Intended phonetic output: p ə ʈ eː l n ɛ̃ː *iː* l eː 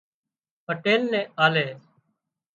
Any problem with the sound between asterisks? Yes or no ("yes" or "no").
yes